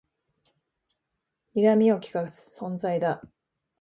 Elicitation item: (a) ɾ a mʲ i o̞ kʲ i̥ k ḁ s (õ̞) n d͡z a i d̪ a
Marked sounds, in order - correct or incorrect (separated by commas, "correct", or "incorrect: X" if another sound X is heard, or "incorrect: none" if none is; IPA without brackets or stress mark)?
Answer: incorrect: i, correct